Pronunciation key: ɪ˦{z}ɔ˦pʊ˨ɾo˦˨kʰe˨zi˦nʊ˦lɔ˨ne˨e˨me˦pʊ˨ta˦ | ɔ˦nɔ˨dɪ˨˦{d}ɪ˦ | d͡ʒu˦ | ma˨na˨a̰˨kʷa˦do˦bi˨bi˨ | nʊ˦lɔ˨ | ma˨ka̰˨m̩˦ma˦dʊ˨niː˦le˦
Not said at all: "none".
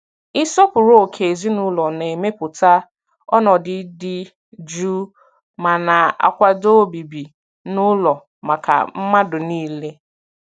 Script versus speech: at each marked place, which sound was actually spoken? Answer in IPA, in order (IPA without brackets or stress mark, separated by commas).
s, d